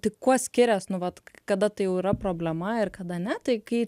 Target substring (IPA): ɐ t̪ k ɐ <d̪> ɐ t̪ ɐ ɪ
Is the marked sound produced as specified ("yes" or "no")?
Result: yes